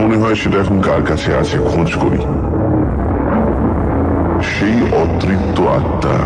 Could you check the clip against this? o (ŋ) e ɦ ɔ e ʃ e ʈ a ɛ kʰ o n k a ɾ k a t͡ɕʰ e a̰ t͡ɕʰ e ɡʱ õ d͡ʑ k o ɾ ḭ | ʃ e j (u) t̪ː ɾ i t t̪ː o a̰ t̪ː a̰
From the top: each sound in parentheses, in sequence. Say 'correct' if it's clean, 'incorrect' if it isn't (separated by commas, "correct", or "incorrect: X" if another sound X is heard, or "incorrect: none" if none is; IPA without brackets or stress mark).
incorrect: n, incorrect: ɔ